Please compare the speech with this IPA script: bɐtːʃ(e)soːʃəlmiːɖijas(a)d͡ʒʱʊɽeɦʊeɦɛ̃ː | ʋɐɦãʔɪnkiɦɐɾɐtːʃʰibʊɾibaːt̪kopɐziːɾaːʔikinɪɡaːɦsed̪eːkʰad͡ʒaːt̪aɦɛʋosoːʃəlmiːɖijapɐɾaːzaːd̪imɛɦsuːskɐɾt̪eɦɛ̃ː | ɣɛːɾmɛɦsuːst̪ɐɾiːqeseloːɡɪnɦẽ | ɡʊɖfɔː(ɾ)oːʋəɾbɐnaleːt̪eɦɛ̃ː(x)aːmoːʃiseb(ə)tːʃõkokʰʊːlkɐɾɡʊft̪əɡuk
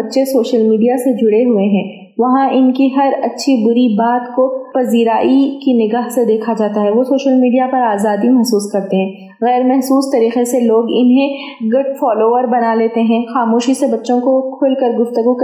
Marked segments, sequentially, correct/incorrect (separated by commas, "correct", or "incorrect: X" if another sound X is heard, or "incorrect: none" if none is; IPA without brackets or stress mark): correct, incorrect: e, incorrect: l, correct, incorrect: ɐ